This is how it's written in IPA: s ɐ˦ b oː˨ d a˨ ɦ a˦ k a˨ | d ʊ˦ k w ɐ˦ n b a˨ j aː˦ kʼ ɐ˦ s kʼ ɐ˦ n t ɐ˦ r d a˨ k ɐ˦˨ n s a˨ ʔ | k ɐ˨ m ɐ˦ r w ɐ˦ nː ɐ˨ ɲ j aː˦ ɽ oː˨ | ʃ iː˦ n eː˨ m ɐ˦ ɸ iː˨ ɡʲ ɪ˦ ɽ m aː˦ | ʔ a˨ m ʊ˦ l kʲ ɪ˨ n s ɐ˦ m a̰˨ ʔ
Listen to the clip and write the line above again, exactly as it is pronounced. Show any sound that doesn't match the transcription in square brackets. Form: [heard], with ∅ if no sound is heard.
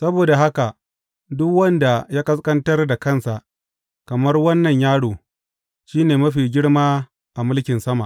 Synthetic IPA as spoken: s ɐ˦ b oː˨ d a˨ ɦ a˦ k a˨ | d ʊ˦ k w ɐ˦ n [d] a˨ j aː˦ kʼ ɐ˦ s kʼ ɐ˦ n t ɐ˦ r d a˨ k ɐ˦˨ n s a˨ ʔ | k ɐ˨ m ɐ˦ r w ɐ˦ nː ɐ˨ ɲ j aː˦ ɽ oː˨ | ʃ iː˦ n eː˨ m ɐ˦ ɸ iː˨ ɡʲ ɪ˦ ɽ m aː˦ | ʔ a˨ m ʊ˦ l kʲ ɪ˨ n s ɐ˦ m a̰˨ ʔ